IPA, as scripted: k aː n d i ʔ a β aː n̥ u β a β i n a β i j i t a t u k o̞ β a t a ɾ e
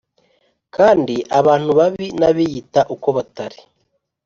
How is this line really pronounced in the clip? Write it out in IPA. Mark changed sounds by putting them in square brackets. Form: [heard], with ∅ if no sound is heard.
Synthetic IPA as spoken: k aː n d i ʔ a β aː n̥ u β a β i n a β i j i t a [ʔ] u k o̞ β a t a ɾ [i]